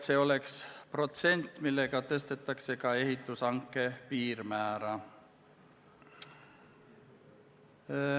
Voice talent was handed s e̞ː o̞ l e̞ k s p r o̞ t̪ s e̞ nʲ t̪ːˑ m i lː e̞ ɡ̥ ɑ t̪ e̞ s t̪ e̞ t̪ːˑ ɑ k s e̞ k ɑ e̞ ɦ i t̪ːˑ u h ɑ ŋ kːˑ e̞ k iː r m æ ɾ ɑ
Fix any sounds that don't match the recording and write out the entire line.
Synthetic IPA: s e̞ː o̞ l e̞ k s p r o̞ t̪ s e̞ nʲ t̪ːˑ m i lː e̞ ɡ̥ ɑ t̪ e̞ s t̪ e̞ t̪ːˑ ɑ k s e̞ k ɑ e̞ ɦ i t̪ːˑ u s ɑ ŋ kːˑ e̞ p iː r m æː ɾ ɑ